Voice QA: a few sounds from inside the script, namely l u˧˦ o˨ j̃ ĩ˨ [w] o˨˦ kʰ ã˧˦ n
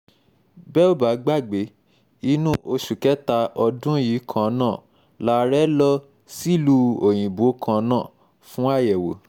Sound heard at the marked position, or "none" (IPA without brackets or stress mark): b